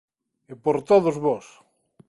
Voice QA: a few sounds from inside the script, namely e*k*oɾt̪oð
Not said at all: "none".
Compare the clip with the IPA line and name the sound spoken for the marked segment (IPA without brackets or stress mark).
p